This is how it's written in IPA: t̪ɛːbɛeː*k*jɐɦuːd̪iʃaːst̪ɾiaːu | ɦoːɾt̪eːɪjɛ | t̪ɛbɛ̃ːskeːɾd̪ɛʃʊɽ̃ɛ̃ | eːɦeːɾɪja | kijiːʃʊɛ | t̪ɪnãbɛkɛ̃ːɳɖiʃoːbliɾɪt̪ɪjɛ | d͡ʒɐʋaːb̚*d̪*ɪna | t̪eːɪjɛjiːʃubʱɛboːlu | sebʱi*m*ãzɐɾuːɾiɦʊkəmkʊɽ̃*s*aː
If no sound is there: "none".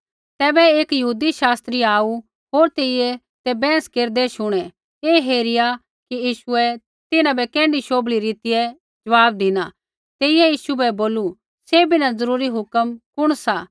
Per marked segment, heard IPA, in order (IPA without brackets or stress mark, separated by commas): k, d̪, n, s